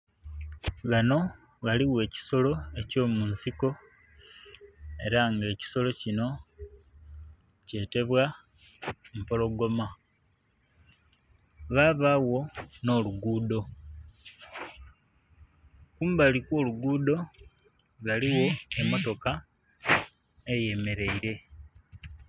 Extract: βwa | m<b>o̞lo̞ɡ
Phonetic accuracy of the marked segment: incorrect: p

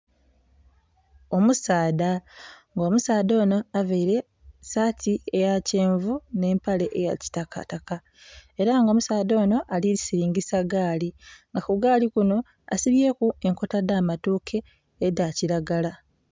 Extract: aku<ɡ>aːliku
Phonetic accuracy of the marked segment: correct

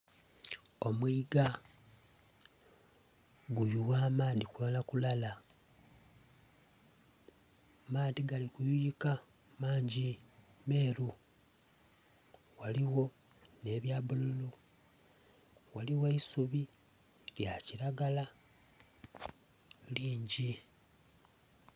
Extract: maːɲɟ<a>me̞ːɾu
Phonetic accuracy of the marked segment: incorrect: i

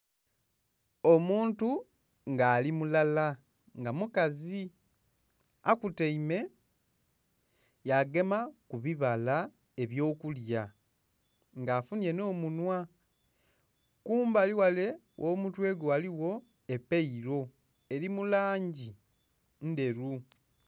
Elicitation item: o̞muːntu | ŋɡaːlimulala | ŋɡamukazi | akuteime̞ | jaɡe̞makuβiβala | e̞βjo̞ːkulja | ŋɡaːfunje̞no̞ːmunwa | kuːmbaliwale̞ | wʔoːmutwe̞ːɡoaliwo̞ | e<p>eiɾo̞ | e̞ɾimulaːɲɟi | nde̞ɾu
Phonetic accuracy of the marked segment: correct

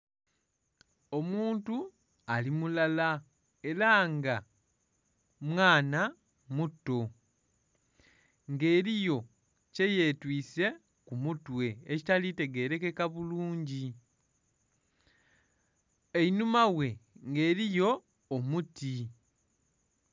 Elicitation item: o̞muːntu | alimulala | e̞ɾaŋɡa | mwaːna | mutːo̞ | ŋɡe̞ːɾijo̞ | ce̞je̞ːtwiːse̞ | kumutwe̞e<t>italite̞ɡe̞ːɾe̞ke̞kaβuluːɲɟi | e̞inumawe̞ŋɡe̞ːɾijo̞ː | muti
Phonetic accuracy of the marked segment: incorrect: c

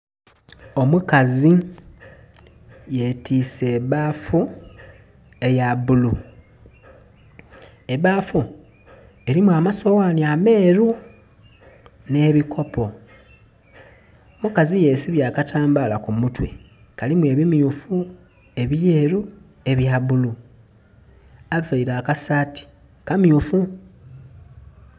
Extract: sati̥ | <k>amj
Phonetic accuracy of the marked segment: correct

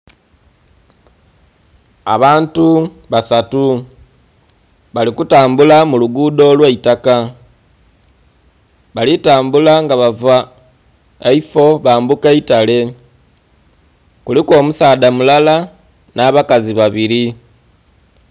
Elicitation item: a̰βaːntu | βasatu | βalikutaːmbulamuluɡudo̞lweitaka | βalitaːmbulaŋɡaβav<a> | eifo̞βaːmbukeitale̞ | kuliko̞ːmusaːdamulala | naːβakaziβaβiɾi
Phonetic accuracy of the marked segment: correct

